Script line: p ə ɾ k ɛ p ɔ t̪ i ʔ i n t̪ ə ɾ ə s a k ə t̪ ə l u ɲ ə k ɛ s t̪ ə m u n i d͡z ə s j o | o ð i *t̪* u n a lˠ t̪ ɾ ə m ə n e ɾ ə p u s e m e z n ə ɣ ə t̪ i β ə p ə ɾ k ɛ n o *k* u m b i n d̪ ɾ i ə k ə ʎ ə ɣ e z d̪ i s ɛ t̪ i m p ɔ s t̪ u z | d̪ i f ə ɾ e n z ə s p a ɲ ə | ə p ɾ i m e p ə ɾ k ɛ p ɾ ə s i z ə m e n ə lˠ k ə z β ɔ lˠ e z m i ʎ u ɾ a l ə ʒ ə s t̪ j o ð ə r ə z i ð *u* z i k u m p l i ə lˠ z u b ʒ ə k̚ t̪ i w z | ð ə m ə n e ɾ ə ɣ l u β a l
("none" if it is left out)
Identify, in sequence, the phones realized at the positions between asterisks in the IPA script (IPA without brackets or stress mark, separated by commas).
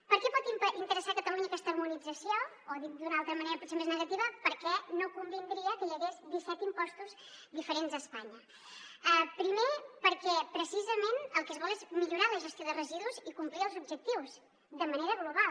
d̪, k, u